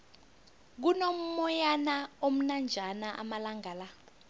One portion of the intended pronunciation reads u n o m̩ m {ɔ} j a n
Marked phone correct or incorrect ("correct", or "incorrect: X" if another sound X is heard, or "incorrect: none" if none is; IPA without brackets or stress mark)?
correct